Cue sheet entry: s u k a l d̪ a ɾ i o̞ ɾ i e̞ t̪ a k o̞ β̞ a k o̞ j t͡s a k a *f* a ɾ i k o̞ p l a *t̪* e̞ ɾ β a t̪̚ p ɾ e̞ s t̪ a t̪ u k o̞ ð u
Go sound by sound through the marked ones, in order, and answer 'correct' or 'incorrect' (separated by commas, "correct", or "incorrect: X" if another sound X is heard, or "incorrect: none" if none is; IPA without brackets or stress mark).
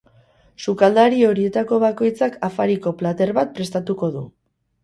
correct, correct